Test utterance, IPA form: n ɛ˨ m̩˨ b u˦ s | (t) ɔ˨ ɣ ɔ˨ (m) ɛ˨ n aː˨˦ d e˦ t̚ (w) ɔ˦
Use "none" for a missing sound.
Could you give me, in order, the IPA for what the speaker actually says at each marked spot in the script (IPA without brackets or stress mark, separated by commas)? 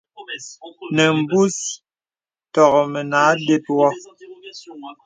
t, m, w